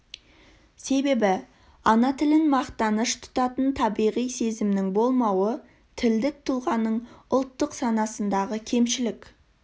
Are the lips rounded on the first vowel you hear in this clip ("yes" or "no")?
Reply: no